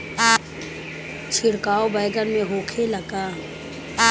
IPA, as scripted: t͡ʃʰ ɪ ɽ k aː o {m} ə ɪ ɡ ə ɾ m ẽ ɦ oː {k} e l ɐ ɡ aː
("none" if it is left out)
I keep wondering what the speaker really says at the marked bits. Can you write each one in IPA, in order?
b, kʰ

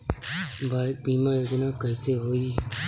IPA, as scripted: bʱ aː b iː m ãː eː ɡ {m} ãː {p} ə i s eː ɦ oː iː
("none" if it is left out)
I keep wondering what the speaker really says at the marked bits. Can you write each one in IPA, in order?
n, k

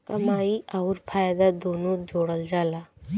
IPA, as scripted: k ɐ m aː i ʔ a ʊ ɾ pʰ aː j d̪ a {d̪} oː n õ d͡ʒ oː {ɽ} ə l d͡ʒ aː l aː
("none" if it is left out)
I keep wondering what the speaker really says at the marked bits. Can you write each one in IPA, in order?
d̪, ɽ

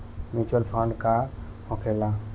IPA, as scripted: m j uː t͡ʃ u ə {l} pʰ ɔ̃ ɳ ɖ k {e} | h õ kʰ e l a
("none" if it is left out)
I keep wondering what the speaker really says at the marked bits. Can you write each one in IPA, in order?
l, a

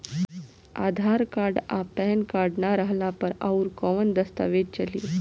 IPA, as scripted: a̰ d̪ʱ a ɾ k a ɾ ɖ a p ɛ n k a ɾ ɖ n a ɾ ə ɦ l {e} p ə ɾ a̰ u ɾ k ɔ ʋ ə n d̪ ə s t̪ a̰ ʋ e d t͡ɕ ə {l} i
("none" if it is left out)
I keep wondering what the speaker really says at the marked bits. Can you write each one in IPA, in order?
a, l

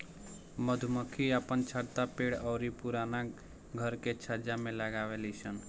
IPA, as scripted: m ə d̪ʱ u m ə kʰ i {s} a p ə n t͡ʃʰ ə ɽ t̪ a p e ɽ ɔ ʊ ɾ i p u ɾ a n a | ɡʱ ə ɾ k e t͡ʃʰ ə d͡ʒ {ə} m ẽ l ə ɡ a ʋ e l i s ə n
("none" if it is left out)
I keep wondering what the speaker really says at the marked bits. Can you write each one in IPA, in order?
none, a

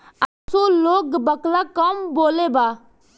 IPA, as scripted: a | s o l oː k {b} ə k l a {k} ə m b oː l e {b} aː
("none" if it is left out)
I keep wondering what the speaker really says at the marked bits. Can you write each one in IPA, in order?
b, k, b

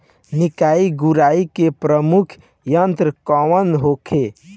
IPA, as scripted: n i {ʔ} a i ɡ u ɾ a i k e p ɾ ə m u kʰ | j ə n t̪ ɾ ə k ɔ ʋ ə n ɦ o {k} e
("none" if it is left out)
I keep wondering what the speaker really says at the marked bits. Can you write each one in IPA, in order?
k, kʰ

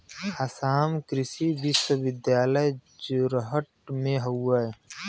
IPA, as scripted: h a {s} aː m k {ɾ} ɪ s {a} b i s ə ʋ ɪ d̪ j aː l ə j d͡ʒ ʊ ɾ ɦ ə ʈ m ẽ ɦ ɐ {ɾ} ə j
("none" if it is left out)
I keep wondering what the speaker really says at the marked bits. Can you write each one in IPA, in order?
s, ɾ, i, none

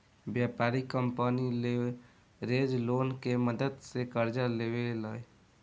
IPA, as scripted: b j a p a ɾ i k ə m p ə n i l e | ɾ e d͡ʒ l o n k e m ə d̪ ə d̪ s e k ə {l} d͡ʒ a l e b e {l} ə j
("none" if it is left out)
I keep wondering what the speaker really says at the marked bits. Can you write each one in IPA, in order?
ɾ, l

